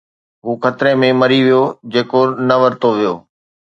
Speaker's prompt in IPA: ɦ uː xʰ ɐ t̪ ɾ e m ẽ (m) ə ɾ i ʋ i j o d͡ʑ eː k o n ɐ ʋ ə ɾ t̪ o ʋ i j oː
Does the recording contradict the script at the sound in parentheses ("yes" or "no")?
no